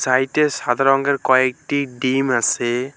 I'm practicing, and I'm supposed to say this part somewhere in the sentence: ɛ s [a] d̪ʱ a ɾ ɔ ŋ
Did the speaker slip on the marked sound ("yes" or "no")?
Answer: no